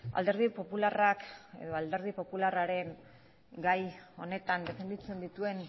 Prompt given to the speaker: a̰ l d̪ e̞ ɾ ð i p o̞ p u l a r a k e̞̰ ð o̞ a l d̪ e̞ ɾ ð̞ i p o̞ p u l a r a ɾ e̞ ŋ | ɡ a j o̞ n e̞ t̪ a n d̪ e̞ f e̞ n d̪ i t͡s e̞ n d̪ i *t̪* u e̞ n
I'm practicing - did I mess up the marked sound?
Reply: no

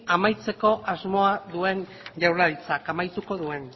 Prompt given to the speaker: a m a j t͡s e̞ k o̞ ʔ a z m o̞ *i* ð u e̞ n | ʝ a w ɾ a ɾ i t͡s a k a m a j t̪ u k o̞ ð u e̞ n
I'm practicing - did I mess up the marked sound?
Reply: yes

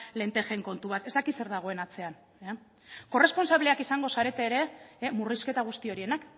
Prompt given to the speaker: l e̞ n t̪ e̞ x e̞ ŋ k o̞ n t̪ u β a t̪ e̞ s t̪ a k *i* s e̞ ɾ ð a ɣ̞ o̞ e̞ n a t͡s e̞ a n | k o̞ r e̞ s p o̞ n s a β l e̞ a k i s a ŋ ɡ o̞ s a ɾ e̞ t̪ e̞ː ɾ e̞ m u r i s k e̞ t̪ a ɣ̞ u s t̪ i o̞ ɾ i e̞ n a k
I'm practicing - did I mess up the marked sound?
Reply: no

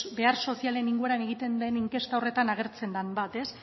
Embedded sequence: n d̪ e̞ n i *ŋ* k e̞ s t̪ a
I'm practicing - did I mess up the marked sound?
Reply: no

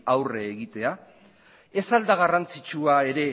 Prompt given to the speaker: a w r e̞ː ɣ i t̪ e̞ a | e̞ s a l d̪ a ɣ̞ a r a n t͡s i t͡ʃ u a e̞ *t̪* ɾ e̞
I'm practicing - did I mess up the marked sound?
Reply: yes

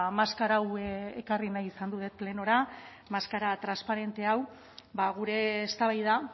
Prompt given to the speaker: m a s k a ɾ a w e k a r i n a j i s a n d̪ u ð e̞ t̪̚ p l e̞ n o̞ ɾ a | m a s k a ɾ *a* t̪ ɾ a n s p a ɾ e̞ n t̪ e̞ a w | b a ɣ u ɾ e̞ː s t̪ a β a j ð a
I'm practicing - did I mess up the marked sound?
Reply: no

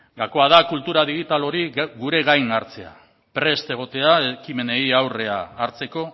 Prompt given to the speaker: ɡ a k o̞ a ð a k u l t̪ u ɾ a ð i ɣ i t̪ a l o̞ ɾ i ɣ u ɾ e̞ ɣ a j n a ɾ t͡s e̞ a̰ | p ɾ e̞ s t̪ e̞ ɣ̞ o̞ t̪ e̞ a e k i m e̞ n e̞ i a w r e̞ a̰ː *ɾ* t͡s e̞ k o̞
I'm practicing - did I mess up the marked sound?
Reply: no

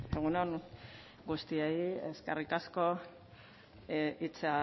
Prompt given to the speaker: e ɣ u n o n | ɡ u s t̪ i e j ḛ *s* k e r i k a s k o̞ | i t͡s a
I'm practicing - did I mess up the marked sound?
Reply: no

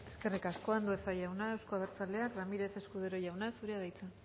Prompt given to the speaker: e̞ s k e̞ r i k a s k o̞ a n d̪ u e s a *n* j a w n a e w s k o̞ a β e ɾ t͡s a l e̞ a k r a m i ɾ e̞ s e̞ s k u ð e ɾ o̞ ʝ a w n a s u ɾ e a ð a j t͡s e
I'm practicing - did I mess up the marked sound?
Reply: yes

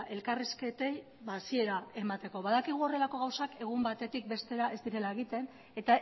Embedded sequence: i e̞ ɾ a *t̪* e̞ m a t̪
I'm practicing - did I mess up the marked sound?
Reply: yes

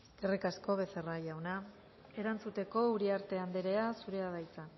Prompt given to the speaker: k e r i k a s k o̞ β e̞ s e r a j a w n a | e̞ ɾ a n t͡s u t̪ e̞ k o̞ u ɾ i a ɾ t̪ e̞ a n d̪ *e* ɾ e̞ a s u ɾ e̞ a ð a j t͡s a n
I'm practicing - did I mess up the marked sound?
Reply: no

